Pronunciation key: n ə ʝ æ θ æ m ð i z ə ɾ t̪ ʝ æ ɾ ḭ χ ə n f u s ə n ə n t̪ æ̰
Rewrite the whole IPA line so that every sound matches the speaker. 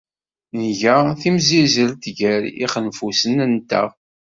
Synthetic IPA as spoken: n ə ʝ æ θ i m z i z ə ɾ t̪ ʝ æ ɾ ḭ χ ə n f u s ə n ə n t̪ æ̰